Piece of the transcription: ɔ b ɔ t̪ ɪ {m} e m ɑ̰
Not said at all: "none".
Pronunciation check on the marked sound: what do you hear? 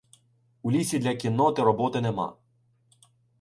n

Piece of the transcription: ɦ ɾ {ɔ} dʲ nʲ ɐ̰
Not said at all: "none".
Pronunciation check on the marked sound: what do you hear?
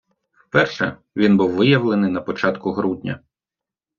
u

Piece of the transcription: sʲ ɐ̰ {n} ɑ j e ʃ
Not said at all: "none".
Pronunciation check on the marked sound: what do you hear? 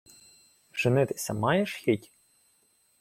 m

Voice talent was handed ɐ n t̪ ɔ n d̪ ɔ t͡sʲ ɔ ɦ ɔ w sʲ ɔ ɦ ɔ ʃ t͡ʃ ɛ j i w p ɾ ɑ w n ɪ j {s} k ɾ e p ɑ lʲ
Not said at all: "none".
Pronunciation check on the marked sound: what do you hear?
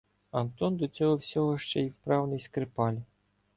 s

